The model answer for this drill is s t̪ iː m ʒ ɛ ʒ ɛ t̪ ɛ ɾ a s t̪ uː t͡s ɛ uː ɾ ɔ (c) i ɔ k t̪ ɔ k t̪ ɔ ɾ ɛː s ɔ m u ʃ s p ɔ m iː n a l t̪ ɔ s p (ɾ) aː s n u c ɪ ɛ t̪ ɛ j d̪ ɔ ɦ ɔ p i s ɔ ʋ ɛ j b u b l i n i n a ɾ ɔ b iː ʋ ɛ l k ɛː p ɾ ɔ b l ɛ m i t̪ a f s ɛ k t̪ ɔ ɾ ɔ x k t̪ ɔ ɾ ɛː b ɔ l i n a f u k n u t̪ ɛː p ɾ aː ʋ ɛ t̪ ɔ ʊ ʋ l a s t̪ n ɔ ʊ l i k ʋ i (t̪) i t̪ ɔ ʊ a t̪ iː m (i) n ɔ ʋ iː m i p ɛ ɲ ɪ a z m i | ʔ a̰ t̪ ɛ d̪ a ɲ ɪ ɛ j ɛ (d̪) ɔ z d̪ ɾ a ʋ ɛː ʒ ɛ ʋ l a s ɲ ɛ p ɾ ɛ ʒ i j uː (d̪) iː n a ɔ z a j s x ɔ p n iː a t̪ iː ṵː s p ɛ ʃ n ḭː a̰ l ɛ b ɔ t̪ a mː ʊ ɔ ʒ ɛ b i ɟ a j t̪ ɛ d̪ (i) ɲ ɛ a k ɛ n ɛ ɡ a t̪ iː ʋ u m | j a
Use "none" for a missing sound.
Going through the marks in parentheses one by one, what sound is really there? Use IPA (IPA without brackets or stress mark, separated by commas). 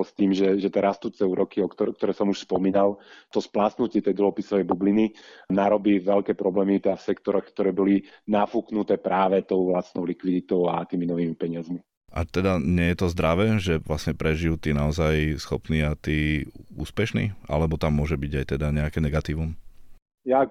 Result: k, l, d̪, i, t̪, t̪, a